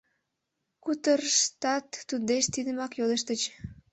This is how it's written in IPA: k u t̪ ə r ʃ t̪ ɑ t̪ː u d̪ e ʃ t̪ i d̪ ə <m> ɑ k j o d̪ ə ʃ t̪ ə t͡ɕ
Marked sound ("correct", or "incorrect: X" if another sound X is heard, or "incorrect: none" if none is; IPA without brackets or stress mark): correct